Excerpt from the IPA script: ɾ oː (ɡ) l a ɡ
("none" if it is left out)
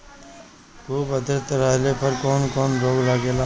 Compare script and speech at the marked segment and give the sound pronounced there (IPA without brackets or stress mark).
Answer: ɡ